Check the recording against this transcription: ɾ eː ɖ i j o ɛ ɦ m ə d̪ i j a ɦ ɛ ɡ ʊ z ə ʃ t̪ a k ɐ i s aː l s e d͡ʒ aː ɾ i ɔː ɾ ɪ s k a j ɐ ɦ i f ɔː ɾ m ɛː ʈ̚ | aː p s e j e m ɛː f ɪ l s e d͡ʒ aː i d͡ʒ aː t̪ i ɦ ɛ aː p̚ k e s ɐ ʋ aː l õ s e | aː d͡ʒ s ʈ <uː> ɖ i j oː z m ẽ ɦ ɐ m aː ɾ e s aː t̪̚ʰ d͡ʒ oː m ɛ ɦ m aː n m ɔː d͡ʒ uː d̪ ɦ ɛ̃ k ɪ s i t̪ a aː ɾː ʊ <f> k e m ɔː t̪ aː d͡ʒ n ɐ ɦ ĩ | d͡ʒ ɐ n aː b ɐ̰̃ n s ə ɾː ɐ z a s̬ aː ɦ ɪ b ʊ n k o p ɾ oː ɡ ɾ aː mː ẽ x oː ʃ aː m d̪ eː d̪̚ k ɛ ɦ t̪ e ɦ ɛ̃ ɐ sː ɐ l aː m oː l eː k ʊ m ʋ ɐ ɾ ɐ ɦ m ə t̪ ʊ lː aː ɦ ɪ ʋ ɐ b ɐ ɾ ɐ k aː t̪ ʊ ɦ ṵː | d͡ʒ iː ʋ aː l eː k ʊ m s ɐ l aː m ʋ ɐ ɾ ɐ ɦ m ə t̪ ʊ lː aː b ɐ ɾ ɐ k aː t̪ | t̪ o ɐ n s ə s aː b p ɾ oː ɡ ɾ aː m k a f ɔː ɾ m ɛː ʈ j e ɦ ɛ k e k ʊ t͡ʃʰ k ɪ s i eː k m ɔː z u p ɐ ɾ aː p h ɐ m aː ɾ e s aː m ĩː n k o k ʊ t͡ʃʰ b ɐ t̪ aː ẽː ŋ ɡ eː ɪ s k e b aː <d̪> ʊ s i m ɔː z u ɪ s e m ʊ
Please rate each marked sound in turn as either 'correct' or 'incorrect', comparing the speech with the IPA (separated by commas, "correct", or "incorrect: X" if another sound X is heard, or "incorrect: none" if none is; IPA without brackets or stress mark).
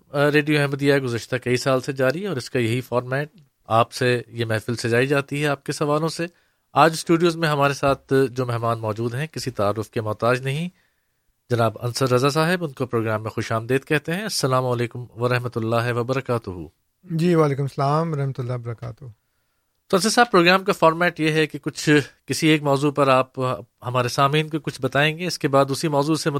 correct, correct, correct